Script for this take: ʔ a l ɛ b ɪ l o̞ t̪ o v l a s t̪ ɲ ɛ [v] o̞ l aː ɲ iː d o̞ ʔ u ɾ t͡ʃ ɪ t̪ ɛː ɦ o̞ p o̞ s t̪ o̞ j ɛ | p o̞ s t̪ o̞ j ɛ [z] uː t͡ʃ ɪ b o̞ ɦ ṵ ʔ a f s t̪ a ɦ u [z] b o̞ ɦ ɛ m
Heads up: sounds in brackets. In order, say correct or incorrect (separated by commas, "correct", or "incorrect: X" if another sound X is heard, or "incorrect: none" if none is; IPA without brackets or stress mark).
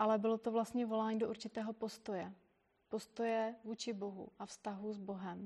correct, incorrect: v, correct